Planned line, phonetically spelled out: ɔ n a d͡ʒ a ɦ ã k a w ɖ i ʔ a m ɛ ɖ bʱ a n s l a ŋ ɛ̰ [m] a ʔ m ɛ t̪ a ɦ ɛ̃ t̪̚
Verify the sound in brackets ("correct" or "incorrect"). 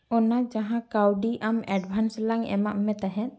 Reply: correct